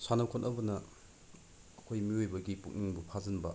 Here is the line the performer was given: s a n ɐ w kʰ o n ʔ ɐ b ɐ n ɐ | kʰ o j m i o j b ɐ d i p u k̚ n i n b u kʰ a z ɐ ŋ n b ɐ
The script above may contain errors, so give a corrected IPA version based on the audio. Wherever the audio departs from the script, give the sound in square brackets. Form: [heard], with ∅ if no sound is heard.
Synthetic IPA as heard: s a n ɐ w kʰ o n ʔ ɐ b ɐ n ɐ | kʰ o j m i o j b ɐ [ɡ] i p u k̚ n i [ŋ] b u [pʰ] a z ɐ [∅] n b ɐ